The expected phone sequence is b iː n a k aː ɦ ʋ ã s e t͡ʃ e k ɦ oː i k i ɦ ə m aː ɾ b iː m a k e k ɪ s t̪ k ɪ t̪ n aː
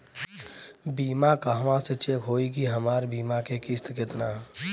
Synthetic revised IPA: b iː m a k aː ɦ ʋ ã s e t͡ʃ e k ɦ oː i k i ɦ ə m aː ɾ b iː m a k e k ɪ s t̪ k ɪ t̪ n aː